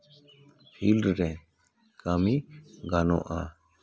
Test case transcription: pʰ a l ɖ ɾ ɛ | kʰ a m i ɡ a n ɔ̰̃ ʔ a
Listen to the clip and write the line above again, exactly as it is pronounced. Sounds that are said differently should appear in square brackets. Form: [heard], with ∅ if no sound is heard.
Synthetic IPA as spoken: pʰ [i] l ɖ ɾ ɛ | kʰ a m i ɡ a n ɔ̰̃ ʔ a